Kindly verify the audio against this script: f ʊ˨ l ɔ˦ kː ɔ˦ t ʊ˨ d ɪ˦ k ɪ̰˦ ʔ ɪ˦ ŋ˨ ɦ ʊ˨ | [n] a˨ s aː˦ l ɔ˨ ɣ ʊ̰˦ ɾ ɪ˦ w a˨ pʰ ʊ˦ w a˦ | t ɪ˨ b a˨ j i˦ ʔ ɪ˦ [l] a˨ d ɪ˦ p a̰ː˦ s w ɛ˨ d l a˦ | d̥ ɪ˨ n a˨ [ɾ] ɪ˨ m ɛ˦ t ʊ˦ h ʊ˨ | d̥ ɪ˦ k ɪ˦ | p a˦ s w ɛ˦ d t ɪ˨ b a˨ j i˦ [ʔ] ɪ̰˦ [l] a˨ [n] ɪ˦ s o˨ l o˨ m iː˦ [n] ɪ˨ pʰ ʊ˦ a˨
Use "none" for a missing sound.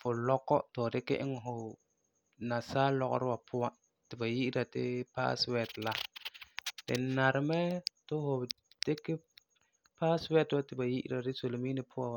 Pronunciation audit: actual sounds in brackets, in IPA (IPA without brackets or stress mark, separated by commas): n, ɾ, ɾ, ʔ, ɾ, d, n